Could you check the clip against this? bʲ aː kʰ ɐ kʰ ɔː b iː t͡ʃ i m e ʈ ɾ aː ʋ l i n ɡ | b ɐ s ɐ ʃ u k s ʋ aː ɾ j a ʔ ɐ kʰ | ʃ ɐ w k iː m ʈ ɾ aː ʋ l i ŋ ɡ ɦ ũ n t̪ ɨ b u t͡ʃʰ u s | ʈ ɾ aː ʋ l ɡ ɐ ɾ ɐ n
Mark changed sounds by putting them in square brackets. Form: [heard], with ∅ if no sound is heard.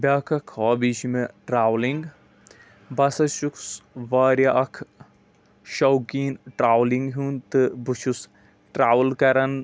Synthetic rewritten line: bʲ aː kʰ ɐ kʰ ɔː b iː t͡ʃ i m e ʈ ɾ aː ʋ l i [ŋ] ɡ | b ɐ s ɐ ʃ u k s ʋ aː ɾ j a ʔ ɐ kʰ | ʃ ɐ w k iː [n] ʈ ɾ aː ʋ l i ŋ ɡ ɦ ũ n t̪ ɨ b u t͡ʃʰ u s | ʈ ɾ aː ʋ l [k] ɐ ɾ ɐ n